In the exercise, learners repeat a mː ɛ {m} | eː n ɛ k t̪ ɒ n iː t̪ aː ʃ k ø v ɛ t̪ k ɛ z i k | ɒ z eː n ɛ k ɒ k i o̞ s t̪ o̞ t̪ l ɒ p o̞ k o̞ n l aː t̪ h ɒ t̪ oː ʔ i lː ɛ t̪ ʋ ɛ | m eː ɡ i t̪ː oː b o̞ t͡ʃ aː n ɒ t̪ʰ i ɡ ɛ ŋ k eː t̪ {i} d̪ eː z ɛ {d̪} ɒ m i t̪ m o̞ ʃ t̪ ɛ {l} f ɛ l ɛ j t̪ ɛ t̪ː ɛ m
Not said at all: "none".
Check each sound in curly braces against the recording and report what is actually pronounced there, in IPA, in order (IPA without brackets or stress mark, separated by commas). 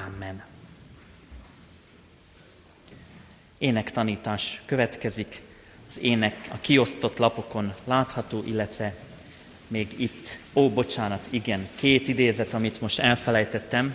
n, i, t̪, l